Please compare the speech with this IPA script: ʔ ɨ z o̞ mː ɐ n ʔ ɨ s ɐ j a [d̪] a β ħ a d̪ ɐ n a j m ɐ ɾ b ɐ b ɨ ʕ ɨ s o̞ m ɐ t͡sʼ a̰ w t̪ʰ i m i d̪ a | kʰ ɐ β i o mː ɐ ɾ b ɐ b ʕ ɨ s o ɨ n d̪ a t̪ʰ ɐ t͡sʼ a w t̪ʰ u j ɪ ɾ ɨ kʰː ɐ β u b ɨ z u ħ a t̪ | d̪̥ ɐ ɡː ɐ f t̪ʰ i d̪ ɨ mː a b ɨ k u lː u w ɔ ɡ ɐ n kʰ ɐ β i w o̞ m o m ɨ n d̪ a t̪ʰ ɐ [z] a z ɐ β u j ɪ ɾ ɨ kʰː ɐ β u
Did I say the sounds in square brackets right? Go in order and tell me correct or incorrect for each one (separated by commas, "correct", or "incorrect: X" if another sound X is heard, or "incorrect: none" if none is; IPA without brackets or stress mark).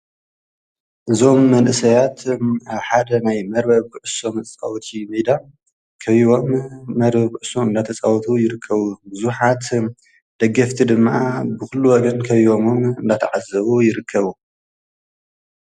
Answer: incorrect: t̪, incorrect: ʕ